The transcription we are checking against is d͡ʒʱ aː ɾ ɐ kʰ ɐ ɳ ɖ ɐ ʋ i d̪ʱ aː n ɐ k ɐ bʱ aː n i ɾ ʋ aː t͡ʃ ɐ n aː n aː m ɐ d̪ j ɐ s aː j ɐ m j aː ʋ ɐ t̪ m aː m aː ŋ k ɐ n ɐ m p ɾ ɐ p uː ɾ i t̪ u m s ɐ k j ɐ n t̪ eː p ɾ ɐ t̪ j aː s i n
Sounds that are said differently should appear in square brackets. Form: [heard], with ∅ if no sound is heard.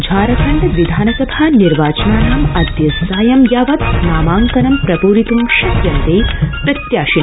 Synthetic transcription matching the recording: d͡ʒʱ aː ɾ ɐ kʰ ɐ ɳ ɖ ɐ ʋ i d̪ʱ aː n ɐ k ɐ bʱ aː n i ɾ ʋ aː t͡ʃ ɐ n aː n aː m ɐ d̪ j ɐ s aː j ɐ m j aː ʋ ɐ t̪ [n] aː m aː ŋ k ɐ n ɐ m p ɾ ɐ p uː ɾ i t̪ u m [ʃ] ɐ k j ɐ n t̪ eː p ɾ ɐ t̪ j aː [ʃ] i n

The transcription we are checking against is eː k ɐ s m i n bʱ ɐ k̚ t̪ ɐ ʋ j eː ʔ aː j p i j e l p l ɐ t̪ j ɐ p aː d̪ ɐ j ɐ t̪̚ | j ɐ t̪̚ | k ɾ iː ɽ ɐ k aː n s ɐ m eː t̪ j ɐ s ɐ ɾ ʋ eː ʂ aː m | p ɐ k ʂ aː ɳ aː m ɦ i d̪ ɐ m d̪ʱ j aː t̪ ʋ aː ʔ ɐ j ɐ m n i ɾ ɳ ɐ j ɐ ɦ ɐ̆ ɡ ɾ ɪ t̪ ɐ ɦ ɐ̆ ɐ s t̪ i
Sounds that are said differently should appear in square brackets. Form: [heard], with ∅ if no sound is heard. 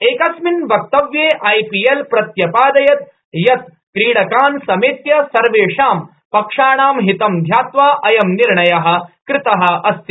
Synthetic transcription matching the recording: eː k ɐ s m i n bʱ ɐ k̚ t̪ ɐ ʋ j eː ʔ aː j p i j e l p [ɾ] ɐ t̪ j ɐ p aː d̪ ɐ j ɐ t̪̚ | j ɐ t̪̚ | k ɾ iː ɽ ɐ k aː n s ɐ m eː t̪ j ɐ s ɐ ɾ ʋ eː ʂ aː m | p ɐ k ʂ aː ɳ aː m ɦ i [t̪] ɐ m d̪ʱ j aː t̪ ʋ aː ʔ ɐ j ɐ m n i ɾ ɳ ɐ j ɐ ɦ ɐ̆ [k] ɾ ɪ t̪ ɐ ɦ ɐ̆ ɐ s t̪ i

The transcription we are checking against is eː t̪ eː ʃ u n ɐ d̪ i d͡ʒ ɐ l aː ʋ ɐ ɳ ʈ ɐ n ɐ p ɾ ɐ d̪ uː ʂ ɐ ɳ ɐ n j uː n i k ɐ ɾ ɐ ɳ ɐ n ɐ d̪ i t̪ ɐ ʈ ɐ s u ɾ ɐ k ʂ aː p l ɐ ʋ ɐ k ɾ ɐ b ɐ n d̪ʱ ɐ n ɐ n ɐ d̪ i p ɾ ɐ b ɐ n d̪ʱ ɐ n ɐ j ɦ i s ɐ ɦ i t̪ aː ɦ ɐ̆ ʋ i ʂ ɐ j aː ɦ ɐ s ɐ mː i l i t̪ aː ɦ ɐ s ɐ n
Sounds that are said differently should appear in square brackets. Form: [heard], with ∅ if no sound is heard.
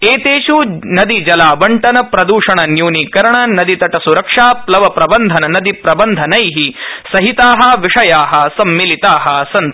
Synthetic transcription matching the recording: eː t̪ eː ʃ u n ɐ d̪ i d͡ʒ ɐ l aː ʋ ɐ ɳ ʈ ɐ n ɐ p ɾ ɐ d̪ uː ʂ ɐ ɳ ɐ n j uː n i k ɐ ɾ ɐ ɳ ɐ n ɐ d̪ i t̪ ɐ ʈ ɐ s u ɾ ɐ k ʂ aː p l ɐ ʋ ɐ [p] ɾ ɐ b ɐ n d̪ʱ ɐ n ɐ n ɐ d̪ i p ɾ ɐ b ɐ n d̪ʱ ɐ n ɐ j ɦ i s ɐ ɦ i t̪ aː ɦ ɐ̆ ʋ i ʂ ɐ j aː ɦ ɐ s ɐ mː i l i t̪ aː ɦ ɐ s ɐ n

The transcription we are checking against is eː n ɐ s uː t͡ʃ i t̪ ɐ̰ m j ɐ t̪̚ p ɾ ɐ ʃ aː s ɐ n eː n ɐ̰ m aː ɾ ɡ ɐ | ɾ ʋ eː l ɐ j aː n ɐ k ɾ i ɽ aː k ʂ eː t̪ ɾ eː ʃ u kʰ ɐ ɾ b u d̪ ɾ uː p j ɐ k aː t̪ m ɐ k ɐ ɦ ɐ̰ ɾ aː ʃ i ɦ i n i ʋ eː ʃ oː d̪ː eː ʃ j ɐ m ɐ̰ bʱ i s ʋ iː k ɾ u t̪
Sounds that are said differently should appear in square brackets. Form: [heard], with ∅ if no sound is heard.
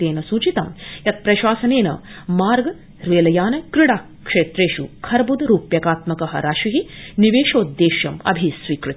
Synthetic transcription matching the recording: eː n ɐ s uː t͡ʃ i t̪ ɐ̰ m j ɐ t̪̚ p ɾ ɐ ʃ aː s ɐ n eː n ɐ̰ m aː ɾ ɡ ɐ | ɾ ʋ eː l ɐ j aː n ɐ k ɾ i ɽ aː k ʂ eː t̪ ɾ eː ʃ u kʰ ɐ ɾ b u d̪ ɾ uː p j ɐ k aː t̪ m ɐ k ɐ ɦ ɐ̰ ɾ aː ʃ i ɦ i n i ʋ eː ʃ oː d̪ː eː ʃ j ɐ m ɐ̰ bʱ i s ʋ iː k ɾ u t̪

